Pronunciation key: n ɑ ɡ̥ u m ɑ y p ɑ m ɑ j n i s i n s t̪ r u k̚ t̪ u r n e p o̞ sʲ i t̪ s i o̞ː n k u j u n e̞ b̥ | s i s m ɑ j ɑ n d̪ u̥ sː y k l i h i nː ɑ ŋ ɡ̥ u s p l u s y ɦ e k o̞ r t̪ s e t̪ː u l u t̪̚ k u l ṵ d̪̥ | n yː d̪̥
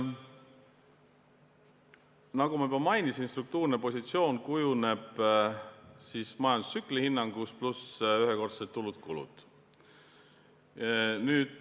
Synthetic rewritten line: n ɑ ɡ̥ u m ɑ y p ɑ m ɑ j n i s i n s t̪ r u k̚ t̪ uː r n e p o̞ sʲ i t̪ s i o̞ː n k u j u n e̞ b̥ | s i s m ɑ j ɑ n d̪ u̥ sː y k l i h i nː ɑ ŋ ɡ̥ u s p l u s y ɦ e k o̞ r t̪ s e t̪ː u l u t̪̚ k u l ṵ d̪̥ | n yː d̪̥